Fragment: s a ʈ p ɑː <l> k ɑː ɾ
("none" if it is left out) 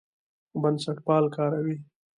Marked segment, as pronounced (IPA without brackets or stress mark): l